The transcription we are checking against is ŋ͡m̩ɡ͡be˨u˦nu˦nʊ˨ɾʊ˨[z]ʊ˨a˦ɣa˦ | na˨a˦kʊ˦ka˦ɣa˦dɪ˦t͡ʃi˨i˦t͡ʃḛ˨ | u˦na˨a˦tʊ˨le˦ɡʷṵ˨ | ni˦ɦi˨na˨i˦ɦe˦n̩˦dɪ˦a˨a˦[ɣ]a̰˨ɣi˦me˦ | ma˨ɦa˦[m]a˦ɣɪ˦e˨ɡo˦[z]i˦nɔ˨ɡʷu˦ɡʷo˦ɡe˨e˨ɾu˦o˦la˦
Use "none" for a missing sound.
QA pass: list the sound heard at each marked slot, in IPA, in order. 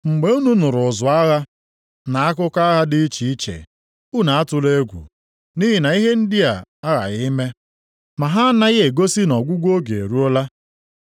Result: z, ɣ, n, s

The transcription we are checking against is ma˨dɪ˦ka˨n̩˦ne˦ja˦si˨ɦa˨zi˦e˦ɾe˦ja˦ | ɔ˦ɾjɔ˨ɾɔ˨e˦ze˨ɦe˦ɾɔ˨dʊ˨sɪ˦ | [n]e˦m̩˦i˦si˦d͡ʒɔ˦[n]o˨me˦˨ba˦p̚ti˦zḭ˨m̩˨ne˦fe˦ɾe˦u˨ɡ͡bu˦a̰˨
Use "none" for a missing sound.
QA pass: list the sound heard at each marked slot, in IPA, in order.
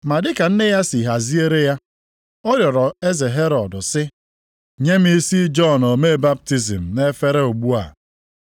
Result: ɲ, n

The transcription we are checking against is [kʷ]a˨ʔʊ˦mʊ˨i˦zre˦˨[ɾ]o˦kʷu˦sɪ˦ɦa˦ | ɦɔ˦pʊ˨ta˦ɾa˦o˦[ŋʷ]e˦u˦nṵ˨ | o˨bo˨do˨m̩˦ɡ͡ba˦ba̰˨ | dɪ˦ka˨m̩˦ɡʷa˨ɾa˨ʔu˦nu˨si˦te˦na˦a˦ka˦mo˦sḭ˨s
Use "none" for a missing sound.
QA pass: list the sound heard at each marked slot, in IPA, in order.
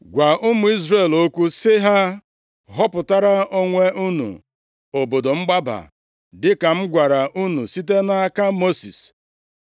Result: ɡʷ, l, ŋʷ

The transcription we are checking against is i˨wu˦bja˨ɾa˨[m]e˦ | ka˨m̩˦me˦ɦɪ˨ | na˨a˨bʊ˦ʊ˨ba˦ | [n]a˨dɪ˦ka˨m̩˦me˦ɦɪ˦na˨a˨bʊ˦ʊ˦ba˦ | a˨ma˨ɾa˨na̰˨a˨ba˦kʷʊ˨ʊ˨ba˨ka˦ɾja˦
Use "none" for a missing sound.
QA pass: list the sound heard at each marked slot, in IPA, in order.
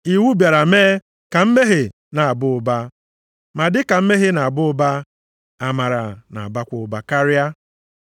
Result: m, m

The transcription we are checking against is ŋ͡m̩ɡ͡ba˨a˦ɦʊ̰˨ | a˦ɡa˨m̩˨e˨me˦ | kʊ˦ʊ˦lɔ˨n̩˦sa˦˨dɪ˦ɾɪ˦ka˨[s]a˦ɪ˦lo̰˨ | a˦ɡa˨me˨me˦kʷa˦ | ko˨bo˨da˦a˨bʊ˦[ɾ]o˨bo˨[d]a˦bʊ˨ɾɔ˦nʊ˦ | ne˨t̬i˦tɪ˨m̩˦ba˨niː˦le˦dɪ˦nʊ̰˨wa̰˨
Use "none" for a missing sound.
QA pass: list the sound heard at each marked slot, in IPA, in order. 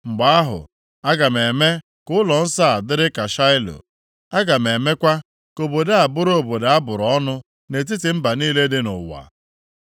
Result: ʃ, ɾ, d

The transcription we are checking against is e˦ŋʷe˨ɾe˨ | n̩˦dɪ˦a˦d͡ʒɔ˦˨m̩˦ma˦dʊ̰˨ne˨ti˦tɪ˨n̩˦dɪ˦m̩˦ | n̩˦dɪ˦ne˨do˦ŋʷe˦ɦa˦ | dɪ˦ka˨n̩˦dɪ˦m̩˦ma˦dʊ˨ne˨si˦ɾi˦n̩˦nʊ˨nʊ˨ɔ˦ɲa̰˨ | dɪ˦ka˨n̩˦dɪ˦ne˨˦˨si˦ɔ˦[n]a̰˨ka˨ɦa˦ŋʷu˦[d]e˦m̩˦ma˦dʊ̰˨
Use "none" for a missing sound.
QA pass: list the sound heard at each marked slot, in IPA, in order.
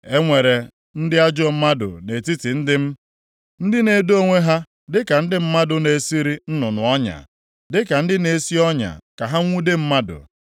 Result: ɲ, d

